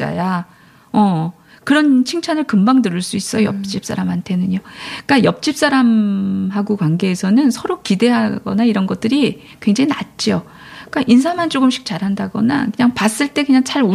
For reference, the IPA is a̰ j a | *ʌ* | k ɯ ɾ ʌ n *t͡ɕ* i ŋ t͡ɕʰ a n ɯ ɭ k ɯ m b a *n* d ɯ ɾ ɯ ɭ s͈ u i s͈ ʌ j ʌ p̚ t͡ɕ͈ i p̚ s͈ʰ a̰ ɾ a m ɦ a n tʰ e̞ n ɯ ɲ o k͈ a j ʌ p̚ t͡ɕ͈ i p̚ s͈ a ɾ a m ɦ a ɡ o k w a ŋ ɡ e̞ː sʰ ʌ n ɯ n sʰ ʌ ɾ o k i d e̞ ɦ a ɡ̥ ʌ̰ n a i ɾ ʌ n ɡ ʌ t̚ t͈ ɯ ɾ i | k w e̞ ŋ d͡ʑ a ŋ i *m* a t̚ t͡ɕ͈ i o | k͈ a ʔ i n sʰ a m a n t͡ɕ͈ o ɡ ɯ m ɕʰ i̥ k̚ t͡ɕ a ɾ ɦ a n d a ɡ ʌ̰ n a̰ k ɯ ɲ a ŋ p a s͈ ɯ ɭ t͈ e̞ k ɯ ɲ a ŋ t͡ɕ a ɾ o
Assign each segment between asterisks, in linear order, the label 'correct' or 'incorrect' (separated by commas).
correct, incorrect, incorrect, incorrect